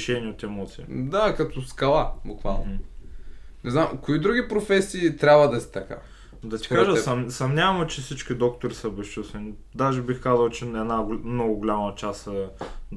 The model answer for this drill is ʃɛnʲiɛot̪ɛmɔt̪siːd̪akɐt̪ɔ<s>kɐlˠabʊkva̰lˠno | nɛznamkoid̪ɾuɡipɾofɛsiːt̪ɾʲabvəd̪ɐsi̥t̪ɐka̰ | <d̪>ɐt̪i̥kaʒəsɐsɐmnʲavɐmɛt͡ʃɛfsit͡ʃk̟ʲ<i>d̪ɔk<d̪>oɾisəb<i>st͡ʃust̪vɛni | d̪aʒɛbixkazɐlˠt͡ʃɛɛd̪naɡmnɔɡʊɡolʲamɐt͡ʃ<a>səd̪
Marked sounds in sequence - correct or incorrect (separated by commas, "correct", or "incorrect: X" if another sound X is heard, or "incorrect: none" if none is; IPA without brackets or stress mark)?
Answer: correct, correct, correct, incorrect: t̪, incorrect: ɛ, correct